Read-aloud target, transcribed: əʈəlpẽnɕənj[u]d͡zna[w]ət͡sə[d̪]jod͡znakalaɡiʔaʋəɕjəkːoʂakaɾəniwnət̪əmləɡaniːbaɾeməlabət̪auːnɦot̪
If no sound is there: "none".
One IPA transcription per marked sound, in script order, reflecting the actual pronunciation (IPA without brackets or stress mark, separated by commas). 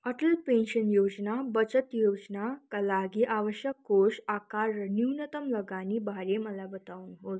o, b, t̪